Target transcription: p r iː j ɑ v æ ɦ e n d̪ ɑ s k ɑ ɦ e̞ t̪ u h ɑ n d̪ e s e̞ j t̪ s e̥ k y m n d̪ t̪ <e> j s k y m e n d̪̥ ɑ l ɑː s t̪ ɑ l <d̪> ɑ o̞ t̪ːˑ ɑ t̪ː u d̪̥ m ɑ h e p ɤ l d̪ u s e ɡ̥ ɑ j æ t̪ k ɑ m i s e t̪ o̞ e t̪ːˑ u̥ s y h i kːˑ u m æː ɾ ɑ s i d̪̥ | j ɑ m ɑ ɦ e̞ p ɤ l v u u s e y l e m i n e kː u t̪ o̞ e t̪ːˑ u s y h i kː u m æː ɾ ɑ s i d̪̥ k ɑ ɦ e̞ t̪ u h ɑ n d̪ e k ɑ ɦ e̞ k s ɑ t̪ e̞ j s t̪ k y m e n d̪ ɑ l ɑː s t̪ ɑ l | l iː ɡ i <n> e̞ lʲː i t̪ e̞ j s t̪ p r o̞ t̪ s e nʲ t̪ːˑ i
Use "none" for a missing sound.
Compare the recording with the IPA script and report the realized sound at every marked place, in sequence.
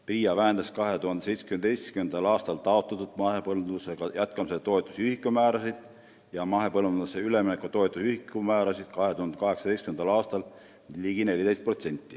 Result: e, t̪, n

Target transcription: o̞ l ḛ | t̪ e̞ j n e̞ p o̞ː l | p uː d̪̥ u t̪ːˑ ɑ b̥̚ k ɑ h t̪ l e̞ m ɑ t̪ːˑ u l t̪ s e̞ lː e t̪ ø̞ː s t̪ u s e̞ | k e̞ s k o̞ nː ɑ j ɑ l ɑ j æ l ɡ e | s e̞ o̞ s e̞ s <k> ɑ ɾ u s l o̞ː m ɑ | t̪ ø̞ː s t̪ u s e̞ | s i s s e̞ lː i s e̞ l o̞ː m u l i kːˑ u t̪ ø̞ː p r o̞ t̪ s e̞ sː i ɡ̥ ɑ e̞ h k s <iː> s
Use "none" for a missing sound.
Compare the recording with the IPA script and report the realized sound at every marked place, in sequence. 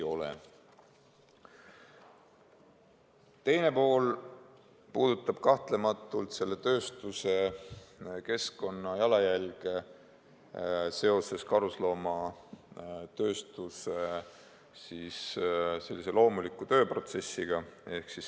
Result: k, i

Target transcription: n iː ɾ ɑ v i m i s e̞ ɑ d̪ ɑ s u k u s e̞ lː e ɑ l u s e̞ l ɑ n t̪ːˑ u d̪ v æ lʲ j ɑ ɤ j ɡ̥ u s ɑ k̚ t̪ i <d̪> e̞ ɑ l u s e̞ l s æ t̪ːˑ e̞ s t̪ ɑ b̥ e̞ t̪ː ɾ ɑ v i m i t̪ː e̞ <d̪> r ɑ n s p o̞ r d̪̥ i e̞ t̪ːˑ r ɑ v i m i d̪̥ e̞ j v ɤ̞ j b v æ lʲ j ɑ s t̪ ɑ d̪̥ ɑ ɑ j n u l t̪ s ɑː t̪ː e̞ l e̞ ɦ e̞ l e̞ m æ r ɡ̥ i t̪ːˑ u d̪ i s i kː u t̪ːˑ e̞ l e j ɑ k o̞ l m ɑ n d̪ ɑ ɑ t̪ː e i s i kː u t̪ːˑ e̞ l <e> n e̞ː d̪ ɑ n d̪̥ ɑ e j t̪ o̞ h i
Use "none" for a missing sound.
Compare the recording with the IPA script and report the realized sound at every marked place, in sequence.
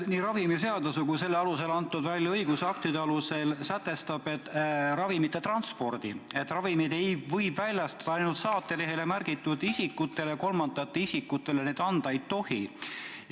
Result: d̪, t̪, e

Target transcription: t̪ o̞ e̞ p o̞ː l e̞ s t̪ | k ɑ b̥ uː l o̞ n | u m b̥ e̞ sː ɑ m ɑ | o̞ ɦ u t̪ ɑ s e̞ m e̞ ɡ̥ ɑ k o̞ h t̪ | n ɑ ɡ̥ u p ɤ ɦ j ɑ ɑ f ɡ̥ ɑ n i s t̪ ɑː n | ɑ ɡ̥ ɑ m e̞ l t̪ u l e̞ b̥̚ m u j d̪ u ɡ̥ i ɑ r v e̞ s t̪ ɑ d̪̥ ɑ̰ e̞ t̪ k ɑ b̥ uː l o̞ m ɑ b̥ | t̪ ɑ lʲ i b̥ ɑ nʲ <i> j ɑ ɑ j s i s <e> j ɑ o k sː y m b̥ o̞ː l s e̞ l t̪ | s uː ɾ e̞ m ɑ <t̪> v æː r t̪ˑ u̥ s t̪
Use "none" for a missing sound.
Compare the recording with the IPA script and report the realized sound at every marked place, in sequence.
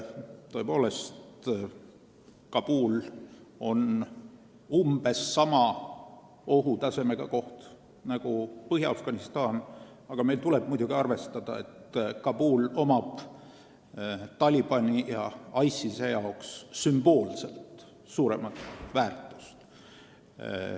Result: i, e, t̪

